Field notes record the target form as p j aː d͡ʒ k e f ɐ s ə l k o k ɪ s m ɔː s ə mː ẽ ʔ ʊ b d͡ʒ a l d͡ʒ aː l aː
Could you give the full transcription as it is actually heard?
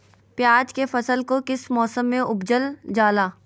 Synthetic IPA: p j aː d͡ʒ k e f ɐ s ə l k o k ɪ s m ɔː s ə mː ẽ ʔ ʊ b d͡ʒ ə l d͡ʒ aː l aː